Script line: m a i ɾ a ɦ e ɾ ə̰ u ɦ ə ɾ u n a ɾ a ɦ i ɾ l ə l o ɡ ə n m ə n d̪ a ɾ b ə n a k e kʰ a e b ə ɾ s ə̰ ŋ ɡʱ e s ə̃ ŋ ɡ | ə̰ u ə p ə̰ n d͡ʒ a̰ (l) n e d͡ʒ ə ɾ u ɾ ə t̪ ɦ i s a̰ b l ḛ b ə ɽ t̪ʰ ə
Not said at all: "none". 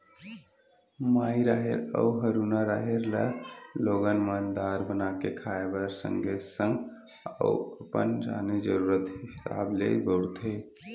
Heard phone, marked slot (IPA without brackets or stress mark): none